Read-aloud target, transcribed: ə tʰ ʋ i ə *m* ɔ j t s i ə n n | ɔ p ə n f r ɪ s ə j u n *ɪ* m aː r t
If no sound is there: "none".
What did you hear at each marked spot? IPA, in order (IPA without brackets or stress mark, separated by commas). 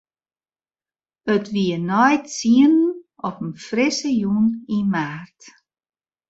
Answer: n, i